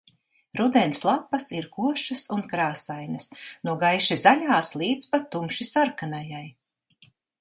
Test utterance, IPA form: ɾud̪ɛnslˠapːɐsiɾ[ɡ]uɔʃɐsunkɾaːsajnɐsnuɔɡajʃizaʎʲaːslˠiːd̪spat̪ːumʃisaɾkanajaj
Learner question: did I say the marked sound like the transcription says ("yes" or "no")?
no